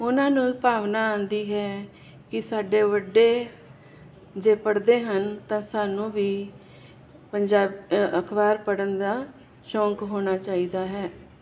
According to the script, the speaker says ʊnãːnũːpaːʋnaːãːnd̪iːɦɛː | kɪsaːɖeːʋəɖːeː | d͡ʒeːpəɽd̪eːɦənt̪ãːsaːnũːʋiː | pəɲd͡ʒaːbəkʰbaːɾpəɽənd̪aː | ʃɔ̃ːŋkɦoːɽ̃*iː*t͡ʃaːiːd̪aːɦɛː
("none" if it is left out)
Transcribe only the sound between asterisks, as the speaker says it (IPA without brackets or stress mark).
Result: aː